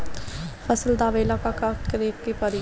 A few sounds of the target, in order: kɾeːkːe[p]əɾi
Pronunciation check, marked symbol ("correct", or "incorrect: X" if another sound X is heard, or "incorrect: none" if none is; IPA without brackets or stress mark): correct